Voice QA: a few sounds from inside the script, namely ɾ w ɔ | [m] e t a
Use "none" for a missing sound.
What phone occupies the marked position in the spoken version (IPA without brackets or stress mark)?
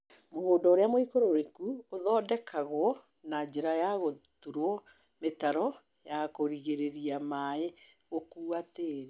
m